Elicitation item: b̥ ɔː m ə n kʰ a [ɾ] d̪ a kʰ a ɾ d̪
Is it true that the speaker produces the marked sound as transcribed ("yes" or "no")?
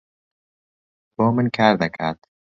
yes